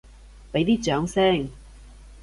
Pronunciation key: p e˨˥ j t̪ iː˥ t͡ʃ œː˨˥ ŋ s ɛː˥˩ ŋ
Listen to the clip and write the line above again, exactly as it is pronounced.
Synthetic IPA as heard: p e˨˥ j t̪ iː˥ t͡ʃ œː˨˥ ŋ s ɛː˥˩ ŋ